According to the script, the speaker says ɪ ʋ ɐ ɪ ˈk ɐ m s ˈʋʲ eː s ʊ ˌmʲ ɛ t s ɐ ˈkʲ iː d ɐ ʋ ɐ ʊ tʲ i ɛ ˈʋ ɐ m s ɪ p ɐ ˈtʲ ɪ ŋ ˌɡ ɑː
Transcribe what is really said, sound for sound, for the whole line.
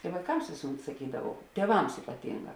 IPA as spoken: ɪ ʋ ɐ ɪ ˈk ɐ m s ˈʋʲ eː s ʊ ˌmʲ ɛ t s ɐ ˈkʲ iː d ɐ ʋ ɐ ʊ tʲ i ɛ ˈʋ ɐ m s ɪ p ɐ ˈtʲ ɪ ŋ ˌɡ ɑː